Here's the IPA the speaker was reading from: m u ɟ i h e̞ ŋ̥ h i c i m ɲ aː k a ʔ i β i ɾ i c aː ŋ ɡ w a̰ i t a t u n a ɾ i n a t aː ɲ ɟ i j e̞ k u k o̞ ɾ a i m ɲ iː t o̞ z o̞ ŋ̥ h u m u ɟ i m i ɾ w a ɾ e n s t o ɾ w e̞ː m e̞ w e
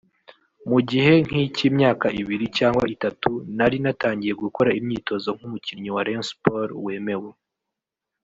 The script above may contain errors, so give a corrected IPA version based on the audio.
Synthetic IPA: m u ɟ i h e̞ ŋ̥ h i c i m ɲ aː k a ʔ i β i ɾ i c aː ŋ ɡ w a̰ i t a t u n a ɾ i n a t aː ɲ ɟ i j e̞ ɡ u k o̞ ɾ a i m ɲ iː t o̞ z o̞ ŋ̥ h u m u c i ɲ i w a ɾ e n s p o ɾ w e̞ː m e̞ w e